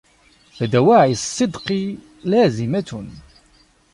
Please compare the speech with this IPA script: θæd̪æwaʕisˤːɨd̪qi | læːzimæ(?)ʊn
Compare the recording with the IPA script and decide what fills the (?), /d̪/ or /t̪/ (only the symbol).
t̪